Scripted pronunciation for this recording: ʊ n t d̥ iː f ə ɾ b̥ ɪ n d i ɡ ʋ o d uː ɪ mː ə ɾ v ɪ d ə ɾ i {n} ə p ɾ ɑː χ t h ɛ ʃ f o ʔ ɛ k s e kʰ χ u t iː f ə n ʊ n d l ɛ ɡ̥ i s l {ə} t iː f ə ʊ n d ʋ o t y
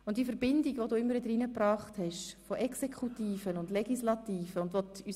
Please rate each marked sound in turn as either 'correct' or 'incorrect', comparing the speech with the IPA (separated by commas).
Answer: correct, incorrect